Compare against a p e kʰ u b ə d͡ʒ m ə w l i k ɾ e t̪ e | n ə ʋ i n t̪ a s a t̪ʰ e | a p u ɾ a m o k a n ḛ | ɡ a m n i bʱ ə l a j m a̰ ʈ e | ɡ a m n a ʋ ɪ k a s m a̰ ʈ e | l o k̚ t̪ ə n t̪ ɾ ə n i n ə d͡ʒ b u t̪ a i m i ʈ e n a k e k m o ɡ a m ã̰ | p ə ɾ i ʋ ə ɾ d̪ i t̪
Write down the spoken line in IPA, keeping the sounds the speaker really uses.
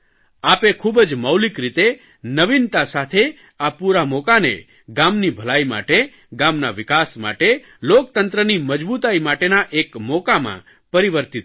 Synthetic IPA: a p e kʰ u b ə d͡ʒ m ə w l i k ɾ i t̪ e | n ə ʋ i n t̪ a s a t̪ʰ e | a p u ɾ a m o k a n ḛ | ɡ a m n i bʱ ə l a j m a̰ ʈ e | ɡ a m n a ʋ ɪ k a s m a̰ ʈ e | l o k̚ t̪ ə n t̪ ɾ ə n i m ə d͡ʒ b u t̪ a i m a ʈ e n a ʔ e k m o k a m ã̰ | p ə ɾ i ʋ ə ɾ t̪ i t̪